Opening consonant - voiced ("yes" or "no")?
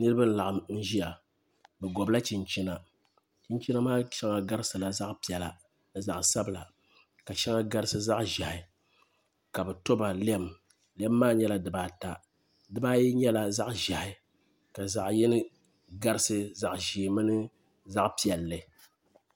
yes